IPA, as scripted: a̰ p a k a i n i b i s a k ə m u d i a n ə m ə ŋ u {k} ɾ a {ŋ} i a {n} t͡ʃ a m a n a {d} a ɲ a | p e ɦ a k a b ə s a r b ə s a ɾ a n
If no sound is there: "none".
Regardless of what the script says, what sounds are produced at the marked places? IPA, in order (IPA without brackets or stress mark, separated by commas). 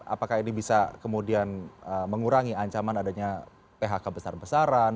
none, ŋ, ɲ, d